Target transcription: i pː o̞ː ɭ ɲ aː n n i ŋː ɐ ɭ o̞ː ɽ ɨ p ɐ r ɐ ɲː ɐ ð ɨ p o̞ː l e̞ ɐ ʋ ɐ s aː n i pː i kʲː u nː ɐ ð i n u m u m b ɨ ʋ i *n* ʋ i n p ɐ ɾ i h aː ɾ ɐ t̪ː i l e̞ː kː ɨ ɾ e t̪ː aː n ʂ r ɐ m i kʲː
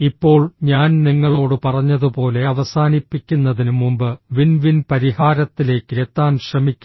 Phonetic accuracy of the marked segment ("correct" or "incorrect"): correct